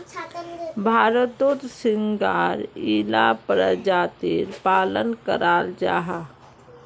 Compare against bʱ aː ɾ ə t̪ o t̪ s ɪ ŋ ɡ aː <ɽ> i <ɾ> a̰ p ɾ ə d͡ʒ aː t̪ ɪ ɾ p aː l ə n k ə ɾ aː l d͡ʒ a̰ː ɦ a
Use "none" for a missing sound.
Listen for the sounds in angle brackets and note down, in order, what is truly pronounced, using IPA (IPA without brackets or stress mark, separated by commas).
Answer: ɾ, l